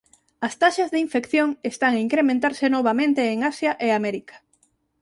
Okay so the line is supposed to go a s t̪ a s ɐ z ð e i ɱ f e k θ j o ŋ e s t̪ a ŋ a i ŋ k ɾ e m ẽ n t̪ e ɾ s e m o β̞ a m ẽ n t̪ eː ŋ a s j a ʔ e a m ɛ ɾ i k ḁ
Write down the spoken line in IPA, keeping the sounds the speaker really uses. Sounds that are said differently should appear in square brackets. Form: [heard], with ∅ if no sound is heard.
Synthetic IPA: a s t̪ a [ʃ] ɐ z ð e i ɱ f e k θ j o ŋ e s t̪ a ŋ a i ŋ k ɾ e m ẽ n t̪ [a] ɾ s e [n] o β̞ a m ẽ n t̪ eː ŋ a s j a ʔ e a m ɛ ɾ i k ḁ